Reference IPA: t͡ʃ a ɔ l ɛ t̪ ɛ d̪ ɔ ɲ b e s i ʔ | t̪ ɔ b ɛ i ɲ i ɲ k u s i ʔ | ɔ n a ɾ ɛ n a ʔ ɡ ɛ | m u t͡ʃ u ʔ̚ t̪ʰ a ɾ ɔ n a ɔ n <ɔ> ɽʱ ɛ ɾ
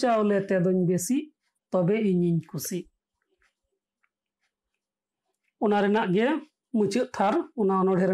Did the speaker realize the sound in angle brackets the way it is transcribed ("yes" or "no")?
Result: yes